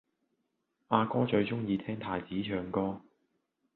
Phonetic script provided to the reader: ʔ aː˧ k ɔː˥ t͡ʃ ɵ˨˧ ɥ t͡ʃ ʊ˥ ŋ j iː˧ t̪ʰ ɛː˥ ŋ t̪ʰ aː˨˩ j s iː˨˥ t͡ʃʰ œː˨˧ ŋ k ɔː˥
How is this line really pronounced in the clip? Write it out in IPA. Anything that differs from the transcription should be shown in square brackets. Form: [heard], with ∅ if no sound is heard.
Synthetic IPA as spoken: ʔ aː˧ k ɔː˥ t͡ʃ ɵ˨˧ ɥ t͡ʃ ʊ˥ ŋ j iː˧ t̪ʰ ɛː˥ ŋ t̪ʰ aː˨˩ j [t͡s] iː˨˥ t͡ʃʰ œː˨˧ ŋ k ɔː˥